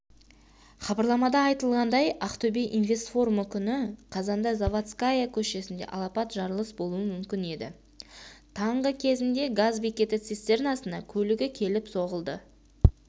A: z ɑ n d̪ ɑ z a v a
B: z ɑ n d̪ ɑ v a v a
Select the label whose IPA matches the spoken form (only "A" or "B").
A